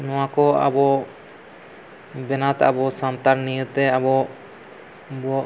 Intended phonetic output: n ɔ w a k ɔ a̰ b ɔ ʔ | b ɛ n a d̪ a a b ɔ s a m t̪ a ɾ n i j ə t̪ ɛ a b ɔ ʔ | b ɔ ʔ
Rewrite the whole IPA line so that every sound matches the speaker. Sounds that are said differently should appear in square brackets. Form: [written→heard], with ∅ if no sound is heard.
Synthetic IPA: n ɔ w a k ɔ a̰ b ɔ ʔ | b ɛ n a [d̪→t̪] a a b ɔ s a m t̪ a ɾ n i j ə t̪ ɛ a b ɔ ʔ | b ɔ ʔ